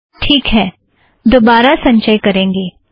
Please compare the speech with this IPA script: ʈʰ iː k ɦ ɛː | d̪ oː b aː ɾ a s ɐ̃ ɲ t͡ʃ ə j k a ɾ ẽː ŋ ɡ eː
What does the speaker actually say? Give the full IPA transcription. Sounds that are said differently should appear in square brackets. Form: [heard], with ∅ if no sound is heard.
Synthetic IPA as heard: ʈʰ iː k ɦ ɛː | d̪ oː b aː ɾ a s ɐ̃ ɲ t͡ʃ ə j k [ɐ] ɾ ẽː ŋ ɡ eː